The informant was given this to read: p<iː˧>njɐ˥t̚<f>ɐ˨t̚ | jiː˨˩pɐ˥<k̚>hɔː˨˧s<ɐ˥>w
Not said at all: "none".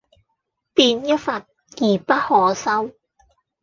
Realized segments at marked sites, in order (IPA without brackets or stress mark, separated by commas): iː˧, f, t̚, ɐ˥